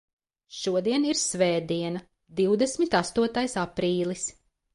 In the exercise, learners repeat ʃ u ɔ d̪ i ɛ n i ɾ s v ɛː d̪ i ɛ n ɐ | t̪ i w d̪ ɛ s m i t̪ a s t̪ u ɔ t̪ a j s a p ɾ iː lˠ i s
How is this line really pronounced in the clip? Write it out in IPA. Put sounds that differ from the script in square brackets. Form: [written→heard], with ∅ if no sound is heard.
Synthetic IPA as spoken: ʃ u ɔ d̪ i ɛ n i ɾ s v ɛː d̪ i ɛ n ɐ | [t̪→d̪] i w d̪ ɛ s m i t̪ a s t̪ u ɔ t̪ a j s a p ɾ iː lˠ i s